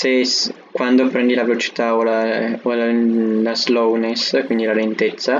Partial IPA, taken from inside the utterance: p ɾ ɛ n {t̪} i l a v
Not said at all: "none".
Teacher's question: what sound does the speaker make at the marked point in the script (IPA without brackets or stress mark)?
d̪